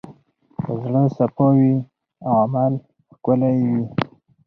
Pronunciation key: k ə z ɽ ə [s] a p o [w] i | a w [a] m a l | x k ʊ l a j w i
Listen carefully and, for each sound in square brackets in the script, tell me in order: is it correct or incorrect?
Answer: correct, correct, correct

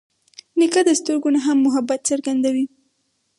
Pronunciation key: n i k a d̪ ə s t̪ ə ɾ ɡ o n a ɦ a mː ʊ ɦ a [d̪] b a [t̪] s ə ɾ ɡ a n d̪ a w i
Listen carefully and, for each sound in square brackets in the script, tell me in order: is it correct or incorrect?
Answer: incorrect: none, correct

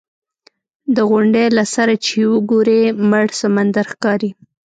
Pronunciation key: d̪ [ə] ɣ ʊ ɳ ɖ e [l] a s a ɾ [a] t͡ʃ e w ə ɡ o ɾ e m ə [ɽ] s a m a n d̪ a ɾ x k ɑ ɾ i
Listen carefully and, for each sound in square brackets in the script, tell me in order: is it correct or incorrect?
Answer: correct, correct, correct, correct

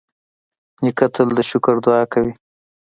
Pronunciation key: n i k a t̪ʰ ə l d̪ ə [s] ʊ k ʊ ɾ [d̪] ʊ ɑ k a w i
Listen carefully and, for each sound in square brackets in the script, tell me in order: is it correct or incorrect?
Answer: incorrect: ʃ, correct

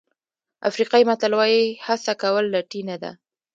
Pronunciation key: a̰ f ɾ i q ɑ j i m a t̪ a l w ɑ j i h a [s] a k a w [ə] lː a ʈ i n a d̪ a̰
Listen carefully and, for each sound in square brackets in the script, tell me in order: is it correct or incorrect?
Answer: correct, correct

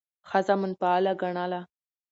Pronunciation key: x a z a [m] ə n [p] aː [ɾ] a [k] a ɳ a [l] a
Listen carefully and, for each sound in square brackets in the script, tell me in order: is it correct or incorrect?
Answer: correct, correct, incorrect: l, incorrect: ɡ, correct

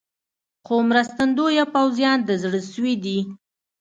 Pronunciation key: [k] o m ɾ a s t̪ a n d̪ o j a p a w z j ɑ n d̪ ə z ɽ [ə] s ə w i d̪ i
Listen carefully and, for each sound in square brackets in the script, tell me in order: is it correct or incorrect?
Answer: incorrect: x, correct

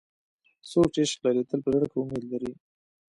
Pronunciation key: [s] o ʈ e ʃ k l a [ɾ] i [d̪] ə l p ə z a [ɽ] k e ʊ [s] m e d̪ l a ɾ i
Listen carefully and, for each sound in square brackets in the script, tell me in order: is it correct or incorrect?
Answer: correct, correct, incorrect: t̪, correct, incorrect: none

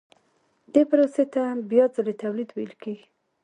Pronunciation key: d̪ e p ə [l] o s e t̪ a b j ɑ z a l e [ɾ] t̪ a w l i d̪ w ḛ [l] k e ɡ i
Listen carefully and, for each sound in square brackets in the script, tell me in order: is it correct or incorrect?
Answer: incorrect: ɾ, incorrect: none, correct

